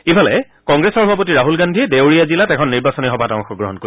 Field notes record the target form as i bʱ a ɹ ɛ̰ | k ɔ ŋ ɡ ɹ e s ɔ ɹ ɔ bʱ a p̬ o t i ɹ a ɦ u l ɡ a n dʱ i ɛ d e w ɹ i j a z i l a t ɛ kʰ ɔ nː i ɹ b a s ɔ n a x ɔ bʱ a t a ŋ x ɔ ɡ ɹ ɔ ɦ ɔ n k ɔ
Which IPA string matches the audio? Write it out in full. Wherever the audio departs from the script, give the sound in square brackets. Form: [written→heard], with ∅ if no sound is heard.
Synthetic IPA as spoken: i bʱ a [ɹ→l] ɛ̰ | k ɔ ŋ ɡ ɹ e s ɔ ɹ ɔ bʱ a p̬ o t i ɹ a ɦ u l ɡ a n dʱ i ɛ d e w ɹ i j a z i l a t ɛ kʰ ɔ nː i ɹ b a s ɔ n [a→i] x ɔ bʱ a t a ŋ x ɔ ɡ ɹ ɔ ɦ ɔ n k [ɔ→o]